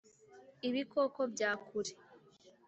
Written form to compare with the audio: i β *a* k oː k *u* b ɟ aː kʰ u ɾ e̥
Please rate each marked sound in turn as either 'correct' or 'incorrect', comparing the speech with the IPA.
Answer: incorrect, incorrect

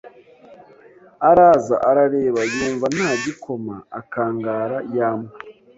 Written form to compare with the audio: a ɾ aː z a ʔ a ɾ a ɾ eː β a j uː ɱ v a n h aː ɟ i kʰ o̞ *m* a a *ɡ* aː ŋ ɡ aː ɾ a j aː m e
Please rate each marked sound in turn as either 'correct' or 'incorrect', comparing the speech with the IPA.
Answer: correct, incorrect

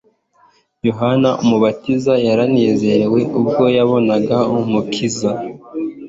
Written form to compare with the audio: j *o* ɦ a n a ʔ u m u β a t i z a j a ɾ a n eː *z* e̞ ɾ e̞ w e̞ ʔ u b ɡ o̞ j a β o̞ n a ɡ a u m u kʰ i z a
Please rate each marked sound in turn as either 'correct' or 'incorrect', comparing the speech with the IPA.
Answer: correct, correct

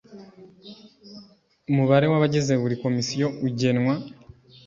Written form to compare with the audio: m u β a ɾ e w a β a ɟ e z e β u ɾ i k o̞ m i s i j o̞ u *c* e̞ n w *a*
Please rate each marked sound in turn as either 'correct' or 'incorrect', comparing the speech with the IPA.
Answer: incorrect, correct

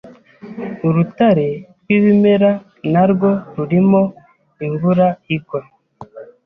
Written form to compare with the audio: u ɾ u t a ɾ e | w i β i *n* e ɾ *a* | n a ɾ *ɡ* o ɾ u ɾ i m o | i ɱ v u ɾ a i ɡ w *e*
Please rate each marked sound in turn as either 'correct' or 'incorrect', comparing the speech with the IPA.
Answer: incorrect, correct, correct, incorrect

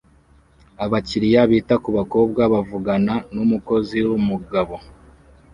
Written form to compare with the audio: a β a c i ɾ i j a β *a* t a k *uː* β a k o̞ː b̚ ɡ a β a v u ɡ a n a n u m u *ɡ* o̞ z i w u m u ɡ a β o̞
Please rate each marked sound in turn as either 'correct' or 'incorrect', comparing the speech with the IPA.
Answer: incorrect, incorrect, incorrect

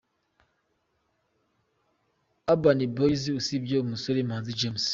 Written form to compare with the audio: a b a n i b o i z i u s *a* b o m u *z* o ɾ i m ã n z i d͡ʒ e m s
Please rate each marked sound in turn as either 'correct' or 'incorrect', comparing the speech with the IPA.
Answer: incorrect, incorrect

